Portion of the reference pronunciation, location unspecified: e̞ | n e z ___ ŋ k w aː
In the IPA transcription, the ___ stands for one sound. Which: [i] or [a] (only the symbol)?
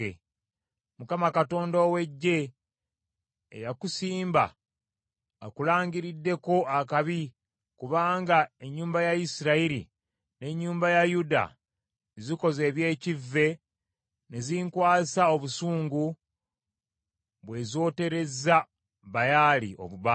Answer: i